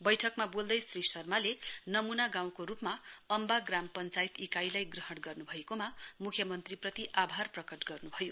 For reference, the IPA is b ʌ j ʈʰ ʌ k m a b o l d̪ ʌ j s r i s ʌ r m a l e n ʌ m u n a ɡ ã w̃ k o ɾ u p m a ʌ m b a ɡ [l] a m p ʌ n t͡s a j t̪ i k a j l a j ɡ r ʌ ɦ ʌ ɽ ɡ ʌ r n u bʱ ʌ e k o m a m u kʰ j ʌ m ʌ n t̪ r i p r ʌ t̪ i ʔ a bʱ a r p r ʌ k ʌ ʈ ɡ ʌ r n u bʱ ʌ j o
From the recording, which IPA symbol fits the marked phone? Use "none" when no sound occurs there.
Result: r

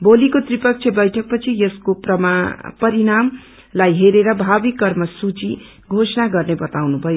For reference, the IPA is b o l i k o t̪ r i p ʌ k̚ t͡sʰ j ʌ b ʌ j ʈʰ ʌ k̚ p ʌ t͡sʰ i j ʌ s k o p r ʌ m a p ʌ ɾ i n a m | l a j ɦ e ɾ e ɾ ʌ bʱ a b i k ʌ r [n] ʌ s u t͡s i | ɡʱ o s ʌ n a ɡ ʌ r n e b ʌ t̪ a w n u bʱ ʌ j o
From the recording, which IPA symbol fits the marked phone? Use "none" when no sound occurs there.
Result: m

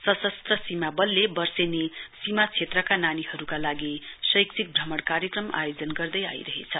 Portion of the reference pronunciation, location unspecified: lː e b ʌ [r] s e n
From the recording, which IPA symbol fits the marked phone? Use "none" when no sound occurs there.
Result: r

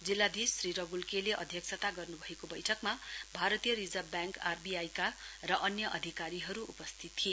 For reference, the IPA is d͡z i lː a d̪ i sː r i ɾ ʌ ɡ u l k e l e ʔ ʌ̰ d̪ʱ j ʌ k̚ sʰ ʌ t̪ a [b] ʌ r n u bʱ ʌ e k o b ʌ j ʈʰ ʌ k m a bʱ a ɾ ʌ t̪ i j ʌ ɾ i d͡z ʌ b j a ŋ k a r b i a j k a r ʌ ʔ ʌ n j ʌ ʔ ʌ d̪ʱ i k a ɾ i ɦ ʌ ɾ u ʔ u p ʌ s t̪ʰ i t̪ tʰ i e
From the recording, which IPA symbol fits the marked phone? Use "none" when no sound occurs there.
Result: ɡ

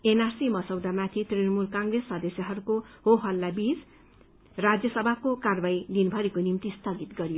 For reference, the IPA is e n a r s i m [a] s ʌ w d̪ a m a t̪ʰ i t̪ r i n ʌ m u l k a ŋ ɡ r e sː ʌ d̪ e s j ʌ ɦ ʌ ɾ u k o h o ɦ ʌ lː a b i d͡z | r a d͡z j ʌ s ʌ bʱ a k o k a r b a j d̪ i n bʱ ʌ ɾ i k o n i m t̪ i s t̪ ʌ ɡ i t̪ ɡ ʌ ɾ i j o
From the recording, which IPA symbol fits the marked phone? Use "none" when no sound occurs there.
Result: ʌ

